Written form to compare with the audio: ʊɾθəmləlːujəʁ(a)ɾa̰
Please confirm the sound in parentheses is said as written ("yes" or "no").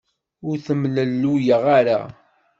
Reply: yes